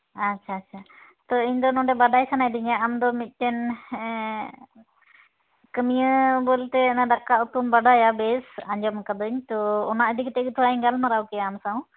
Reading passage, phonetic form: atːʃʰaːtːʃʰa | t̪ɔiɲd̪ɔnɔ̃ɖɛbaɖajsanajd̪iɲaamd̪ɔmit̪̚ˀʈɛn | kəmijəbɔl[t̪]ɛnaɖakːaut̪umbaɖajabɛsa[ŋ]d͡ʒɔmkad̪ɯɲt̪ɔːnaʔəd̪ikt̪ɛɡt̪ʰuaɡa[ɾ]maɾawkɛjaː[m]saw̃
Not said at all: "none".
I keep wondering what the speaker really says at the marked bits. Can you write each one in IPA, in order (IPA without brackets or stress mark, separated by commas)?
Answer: t̪, ɲ, l, m